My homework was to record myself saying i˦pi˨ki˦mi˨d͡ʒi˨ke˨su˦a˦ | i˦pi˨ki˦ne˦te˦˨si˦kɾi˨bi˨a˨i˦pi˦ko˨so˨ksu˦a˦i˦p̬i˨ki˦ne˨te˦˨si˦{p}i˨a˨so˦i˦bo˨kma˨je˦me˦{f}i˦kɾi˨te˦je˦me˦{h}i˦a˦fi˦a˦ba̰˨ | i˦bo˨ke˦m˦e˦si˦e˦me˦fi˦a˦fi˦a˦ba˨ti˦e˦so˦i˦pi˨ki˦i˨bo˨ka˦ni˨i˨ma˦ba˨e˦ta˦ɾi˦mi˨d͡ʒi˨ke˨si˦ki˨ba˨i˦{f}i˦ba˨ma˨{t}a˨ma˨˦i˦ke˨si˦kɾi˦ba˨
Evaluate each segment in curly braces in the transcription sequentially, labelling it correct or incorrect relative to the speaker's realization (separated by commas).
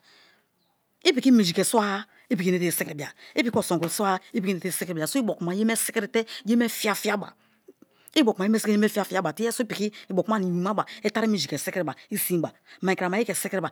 incorrect, incorrect, incorrect, incorrect, incorrect